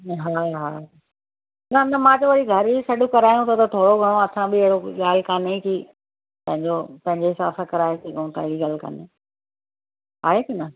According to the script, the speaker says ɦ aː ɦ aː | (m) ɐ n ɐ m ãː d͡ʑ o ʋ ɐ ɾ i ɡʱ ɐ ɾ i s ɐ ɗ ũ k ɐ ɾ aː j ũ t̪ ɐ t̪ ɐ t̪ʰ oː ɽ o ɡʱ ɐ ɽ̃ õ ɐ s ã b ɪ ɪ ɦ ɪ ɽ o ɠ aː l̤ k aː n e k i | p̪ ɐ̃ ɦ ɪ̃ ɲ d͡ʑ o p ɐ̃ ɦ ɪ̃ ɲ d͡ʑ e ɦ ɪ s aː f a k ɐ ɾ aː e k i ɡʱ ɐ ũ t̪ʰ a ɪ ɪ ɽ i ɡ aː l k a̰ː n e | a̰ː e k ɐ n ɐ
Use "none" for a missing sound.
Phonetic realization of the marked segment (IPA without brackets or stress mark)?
n